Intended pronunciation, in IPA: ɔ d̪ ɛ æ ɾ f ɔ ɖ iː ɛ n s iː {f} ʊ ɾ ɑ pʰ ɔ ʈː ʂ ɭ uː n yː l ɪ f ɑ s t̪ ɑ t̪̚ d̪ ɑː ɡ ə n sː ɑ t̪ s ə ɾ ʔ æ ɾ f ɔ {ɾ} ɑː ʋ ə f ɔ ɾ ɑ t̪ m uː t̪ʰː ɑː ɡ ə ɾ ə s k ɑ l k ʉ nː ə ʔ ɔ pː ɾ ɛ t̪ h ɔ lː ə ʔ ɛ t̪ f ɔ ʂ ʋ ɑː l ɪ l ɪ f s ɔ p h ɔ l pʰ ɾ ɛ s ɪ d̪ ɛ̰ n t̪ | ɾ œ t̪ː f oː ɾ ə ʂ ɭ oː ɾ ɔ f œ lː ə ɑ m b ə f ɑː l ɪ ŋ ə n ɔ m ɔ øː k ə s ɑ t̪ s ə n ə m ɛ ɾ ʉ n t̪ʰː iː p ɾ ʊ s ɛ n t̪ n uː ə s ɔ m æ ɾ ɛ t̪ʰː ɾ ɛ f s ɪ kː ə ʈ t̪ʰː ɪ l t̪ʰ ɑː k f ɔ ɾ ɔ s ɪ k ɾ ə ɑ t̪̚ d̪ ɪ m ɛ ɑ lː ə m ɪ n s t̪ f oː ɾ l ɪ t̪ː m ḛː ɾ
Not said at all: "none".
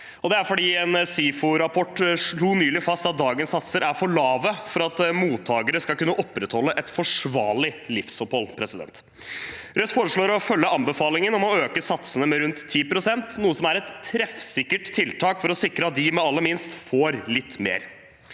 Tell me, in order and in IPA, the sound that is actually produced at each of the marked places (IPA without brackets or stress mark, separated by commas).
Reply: f, ɭ